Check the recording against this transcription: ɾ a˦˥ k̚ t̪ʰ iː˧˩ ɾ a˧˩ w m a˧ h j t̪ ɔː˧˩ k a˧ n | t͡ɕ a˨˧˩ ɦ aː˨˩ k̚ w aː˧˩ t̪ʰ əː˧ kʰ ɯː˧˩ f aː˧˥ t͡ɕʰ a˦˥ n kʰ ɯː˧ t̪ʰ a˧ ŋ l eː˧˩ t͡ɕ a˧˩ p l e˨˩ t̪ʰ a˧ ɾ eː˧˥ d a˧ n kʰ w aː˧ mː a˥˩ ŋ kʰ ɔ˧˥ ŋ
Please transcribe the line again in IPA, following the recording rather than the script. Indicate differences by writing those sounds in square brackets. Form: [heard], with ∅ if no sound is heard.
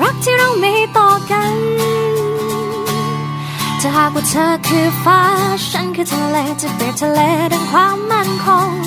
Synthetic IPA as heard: ɾ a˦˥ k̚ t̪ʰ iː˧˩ ɾ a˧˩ w m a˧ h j t̪ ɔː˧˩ k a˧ n | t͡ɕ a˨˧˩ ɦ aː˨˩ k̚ w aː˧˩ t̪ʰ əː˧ kʰ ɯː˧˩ f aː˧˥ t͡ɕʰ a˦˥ n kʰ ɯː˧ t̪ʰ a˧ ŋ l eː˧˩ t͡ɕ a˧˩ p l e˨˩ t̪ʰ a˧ [l] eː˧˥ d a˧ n kʰ w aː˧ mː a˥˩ [n] kʰ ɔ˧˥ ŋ